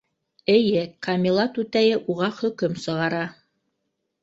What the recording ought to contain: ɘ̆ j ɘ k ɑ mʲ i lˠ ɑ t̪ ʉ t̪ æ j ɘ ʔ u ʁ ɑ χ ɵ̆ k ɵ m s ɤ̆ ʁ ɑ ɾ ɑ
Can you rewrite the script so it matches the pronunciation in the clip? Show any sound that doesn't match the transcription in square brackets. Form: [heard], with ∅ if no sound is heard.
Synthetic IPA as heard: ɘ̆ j ɘ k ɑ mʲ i lˠ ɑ t̪ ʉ t̪ æ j ɘ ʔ u ʁ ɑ χ ɵ̆ k ɵ m s ɤ̆ ʁ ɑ ɾ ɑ